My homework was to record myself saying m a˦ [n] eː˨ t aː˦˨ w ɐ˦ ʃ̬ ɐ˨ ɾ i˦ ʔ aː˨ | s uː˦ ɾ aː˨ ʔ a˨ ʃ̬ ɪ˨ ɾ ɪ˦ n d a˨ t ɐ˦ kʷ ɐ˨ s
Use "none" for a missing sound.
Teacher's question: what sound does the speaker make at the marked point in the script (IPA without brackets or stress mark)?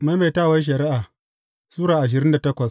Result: m